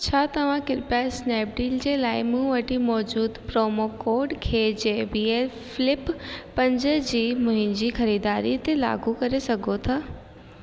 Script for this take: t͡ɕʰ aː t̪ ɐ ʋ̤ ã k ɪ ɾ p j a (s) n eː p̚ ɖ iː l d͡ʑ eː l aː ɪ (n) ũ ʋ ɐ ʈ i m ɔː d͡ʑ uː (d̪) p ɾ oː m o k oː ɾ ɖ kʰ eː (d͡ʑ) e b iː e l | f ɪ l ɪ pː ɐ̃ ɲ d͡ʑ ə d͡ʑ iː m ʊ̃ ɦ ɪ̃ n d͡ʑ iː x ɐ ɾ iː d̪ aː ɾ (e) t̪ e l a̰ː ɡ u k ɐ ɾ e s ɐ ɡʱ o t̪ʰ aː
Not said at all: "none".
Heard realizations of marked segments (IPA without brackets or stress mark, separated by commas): s, m, d̪, d͡ʑ, i